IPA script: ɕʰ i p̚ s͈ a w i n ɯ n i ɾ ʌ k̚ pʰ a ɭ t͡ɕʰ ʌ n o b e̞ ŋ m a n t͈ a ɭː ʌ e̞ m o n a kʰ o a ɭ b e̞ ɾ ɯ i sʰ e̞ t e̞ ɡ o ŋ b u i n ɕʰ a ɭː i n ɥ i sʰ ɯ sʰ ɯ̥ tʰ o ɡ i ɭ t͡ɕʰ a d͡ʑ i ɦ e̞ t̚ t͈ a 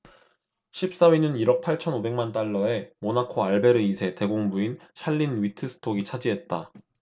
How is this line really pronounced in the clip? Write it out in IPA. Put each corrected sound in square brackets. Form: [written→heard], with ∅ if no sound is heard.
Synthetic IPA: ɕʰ i p̚ s͈ a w i n ɯ n i ɾ ʌ k̚ pʰ a ɭ t͡ɕʰ ʌ n o b e̞ ŋ m a n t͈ a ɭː ʌ e̞ m o n a kʰ o a ɭ b e̞ ɾ ɯ i sʰ e̞ t e̞ ɡ o ŋ b u i n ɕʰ a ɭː i n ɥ i [sʰ→tʰ] ɯ sʰ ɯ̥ tʰ o ɡ i [ɭ→∅] t͡ɕʰ a d͡ʑ i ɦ e̞ t̚ t͈ a